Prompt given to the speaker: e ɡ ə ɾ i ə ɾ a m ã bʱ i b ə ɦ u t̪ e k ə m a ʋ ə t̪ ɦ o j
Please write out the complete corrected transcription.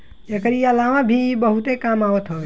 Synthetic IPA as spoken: e k ə ɾ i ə l a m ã bʱ i b ə ɦ u t̪ e k a m a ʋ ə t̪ ɦ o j